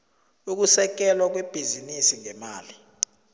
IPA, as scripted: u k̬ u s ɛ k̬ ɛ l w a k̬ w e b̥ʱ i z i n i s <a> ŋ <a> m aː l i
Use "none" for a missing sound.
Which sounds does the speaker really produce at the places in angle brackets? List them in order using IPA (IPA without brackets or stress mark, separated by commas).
i, ɛ